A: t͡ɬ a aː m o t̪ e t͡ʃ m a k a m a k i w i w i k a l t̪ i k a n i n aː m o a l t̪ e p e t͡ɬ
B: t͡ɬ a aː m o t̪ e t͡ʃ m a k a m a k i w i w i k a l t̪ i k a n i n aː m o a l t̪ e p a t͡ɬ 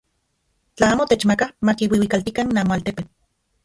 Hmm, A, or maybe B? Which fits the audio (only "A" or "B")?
A